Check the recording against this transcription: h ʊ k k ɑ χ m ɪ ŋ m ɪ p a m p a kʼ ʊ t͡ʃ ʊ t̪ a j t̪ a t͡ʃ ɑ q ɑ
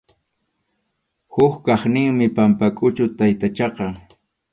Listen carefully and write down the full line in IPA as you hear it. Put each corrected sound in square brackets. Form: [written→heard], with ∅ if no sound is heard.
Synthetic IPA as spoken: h ʊ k k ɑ χ [m→n] ɪ ŋ m ɪ p a m p a kʼ ʊ t͡ʃ ʊ t̪ a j t̪ a t͡ʃ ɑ q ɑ